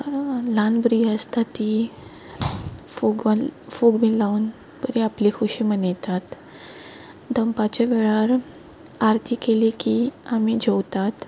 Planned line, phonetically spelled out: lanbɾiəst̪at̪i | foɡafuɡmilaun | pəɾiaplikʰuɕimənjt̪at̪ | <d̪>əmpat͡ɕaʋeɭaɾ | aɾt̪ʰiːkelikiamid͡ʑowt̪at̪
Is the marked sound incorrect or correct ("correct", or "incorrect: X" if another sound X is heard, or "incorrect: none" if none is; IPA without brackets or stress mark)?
correct